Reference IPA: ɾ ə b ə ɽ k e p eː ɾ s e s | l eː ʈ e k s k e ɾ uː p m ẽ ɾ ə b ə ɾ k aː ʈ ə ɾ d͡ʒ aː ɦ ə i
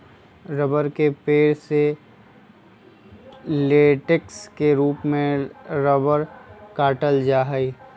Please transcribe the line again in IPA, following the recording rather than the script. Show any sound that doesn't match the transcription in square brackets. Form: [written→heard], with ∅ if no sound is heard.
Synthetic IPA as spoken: ɾ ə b ə [ɽ→ɾ] k e p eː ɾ s e [s→∅] | l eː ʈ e k s k e ɾ uː p m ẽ ɾ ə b ə ɾ k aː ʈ ə [ɾ→l] d͡ʒ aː ɦ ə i